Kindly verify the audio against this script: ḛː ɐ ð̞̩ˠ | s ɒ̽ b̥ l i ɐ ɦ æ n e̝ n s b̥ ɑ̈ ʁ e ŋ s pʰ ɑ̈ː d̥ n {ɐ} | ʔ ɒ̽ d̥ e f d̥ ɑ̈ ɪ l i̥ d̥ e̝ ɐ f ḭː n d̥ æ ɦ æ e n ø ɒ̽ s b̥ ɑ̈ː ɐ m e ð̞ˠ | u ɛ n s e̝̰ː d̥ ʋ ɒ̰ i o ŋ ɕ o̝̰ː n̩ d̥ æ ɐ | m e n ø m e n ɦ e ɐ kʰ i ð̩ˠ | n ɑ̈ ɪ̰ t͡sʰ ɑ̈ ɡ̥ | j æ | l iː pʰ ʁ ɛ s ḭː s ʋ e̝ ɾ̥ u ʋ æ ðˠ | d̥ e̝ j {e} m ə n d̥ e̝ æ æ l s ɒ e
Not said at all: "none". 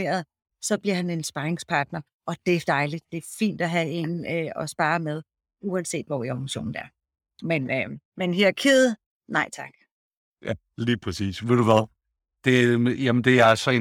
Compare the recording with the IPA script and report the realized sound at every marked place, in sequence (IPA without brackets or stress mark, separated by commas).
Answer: ɐ, æ